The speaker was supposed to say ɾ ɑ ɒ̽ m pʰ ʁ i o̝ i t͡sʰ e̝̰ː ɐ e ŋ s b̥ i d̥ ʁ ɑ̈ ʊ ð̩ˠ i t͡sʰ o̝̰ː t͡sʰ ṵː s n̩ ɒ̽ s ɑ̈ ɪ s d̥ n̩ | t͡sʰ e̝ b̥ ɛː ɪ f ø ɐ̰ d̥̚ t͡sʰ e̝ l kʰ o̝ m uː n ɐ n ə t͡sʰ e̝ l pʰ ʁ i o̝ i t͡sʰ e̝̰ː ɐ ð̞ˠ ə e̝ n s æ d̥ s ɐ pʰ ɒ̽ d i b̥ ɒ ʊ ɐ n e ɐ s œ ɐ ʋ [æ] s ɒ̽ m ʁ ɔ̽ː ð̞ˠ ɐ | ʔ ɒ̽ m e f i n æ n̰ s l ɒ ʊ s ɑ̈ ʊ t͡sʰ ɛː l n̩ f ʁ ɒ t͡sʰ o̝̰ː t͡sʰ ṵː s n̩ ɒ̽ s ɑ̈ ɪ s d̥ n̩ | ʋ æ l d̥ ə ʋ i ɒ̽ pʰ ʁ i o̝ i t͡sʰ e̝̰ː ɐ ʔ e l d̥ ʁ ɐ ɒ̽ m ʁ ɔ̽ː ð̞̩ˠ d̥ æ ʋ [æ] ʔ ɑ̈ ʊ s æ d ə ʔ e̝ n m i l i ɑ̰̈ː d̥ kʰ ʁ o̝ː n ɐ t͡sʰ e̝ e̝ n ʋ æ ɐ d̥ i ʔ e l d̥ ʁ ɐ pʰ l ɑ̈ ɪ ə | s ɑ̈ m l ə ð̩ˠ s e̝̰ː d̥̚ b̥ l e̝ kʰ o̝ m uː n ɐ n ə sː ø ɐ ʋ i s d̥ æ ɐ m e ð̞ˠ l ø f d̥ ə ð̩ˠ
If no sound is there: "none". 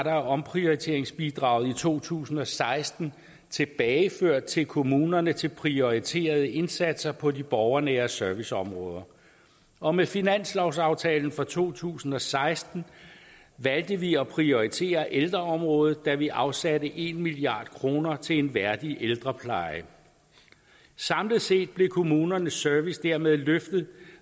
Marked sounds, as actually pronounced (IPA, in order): i, i

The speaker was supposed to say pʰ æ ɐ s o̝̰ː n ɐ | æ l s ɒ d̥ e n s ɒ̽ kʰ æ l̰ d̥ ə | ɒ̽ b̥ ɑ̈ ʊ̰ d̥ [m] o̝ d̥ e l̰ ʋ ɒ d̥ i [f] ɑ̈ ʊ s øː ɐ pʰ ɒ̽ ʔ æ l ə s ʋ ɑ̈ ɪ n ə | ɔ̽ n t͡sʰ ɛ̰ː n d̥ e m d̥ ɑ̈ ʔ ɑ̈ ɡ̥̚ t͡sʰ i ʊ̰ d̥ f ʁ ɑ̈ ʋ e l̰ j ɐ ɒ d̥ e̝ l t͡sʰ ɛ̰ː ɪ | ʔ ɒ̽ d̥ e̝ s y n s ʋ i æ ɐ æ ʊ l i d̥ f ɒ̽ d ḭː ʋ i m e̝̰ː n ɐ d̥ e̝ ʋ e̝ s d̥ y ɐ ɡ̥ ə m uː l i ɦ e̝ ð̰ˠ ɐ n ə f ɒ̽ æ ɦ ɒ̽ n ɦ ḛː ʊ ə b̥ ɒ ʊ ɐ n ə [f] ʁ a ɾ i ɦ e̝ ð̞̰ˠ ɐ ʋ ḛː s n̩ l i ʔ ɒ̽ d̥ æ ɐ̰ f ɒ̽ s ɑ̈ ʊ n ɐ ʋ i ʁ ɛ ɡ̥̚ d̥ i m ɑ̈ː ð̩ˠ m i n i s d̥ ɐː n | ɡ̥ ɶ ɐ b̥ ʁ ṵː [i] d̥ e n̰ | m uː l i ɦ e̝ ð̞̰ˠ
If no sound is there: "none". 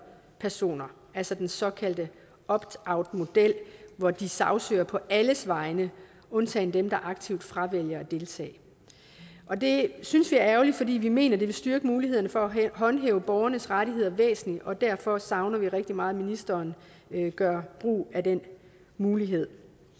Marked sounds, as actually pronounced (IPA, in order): m, s, s, æ

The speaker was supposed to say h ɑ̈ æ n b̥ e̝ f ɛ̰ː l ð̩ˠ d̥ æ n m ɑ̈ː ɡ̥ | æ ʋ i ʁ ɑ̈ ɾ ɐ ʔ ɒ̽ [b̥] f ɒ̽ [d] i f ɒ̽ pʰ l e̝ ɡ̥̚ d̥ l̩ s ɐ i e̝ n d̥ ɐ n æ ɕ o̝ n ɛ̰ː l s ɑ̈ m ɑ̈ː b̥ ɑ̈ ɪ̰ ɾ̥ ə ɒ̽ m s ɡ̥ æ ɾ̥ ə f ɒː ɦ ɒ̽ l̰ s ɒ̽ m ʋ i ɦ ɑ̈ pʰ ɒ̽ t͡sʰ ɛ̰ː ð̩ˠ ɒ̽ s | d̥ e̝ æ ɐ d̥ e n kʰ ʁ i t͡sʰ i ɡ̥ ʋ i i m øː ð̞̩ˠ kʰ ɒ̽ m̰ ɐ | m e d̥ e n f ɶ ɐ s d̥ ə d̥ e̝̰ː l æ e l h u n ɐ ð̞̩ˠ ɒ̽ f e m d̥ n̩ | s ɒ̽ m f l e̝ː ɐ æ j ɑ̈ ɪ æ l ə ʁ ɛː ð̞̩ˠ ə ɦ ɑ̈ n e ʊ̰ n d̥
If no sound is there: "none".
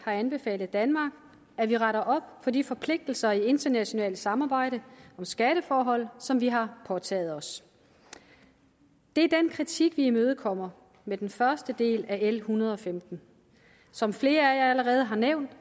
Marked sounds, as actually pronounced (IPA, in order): b̥, d

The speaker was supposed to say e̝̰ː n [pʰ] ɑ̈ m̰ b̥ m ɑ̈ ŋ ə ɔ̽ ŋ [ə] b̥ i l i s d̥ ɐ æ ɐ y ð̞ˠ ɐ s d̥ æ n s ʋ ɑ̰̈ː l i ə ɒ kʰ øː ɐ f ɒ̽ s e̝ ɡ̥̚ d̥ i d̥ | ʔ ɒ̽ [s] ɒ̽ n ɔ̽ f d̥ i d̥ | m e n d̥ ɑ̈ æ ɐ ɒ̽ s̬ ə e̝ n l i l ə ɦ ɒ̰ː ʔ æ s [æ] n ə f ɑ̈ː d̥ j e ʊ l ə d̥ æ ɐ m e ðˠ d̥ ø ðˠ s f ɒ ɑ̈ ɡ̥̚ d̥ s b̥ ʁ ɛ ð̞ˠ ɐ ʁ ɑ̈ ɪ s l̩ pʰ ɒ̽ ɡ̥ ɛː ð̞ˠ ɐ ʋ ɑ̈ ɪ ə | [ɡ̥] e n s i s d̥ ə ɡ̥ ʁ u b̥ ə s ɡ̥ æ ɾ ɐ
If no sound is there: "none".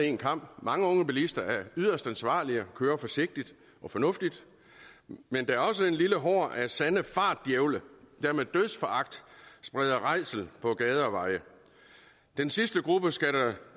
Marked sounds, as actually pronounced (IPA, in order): kʰ, ə, f, æ, d̥

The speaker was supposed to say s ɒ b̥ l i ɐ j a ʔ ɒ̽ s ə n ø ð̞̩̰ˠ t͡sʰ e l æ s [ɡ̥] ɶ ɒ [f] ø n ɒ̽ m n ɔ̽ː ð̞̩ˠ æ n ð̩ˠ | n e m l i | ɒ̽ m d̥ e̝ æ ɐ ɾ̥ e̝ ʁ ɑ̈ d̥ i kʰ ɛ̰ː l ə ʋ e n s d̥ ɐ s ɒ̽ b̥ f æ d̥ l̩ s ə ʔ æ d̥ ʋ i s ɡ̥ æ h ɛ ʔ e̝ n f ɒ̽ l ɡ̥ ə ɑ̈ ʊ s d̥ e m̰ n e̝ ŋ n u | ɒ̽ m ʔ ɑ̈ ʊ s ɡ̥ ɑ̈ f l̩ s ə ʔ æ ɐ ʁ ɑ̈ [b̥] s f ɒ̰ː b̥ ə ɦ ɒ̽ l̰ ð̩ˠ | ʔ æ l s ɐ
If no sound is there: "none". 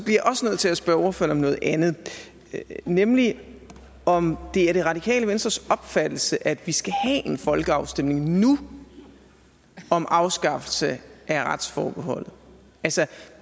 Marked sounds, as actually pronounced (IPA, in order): b̥, f, d̥

